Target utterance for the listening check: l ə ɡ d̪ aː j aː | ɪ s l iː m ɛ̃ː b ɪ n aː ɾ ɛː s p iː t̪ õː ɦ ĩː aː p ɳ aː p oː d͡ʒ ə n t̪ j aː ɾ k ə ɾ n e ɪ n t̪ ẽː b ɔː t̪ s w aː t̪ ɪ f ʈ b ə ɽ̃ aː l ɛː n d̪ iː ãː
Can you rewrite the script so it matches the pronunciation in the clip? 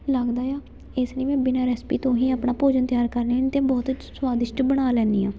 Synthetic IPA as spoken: l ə ɡ d̪ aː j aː | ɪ s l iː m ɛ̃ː b ɪ n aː ɾ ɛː s p iː t̪ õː ɦ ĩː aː p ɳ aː p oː d͡ʒ ə n t̪ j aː ɾ k ə ɾ n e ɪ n t̪ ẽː b ɔː t̪ s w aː d̪ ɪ ʃ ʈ b ə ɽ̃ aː l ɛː n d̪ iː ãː